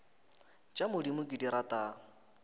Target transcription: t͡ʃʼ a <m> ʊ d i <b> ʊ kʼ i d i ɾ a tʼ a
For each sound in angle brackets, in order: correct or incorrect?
correct, incorrect: m

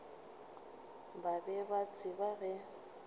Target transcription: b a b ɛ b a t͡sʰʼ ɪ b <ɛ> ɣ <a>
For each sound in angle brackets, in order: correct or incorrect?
incorrect: a, incorrect: ɛ

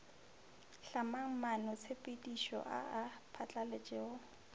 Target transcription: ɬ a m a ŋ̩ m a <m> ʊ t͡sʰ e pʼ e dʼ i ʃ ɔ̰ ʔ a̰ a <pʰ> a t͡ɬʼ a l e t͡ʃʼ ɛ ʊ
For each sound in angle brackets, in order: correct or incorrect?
incorrect: n, correct

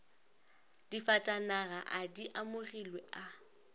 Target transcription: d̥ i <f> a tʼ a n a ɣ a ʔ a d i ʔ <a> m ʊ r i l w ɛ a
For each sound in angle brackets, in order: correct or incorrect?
correct, correct

